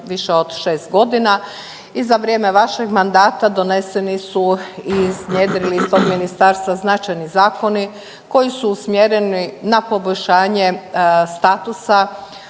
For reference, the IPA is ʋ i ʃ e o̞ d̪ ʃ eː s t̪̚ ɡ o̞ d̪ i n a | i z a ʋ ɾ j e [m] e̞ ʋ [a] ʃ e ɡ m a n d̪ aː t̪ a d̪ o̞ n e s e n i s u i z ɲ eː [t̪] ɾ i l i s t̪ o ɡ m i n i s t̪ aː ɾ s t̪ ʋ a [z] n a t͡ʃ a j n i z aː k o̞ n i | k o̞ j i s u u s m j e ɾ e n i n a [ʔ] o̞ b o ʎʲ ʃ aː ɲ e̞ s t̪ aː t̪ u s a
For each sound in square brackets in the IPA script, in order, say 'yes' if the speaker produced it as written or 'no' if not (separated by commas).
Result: yes, yes, no, yes, no